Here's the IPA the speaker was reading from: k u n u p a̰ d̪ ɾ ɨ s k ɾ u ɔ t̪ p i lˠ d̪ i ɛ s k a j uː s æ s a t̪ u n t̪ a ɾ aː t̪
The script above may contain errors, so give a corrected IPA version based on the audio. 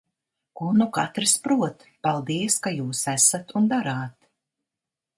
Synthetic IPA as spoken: k u n u k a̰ t̪ ɾ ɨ s p ɾ u ɔ t̪ p a lˠ d̪ i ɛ s k a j uː s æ s a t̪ u n d̪ a ɾ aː t̪